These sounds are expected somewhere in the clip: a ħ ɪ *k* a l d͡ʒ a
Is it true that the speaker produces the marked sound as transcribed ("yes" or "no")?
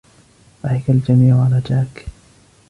yes